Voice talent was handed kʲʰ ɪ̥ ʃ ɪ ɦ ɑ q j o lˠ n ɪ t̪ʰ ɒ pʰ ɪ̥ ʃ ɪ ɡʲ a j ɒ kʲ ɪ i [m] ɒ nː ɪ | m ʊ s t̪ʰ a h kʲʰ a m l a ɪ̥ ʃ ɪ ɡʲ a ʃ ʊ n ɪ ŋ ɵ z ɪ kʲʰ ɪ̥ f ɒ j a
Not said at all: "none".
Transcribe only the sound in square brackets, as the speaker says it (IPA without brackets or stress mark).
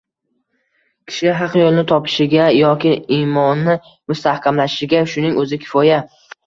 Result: m